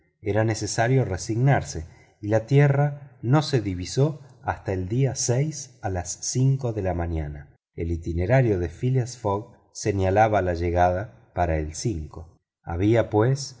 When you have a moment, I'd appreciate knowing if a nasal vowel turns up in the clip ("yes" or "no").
no